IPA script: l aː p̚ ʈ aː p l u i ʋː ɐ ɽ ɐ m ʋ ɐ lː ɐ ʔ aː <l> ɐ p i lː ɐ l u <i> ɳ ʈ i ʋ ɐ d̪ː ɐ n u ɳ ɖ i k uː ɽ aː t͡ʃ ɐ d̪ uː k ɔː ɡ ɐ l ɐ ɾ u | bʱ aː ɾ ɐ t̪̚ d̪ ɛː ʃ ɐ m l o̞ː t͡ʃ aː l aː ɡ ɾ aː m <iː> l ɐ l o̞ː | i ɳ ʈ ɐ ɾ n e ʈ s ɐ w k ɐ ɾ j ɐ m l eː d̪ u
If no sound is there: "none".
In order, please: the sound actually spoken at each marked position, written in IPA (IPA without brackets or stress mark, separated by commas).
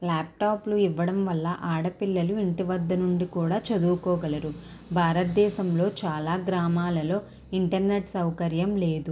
ɽ, i, aː